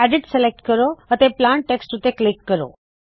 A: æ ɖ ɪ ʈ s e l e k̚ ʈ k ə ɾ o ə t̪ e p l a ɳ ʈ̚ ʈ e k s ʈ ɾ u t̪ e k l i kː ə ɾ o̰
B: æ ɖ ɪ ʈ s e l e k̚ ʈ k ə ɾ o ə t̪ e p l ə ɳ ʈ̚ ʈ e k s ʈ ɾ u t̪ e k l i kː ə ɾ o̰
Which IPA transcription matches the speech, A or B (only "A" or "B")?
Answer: A